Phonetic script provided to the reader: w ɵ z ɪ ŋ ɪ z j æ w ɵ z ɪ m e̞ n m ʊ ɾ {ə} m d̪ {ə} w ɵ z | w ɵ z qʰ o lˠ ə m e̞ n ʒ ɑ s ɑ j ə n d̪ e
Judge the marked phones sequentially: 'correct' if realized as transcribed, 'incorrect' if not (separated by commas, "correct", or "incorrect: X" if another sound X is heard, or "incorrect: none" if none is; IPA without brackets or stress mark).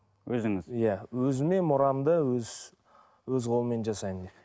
incorrect: ɑ, correct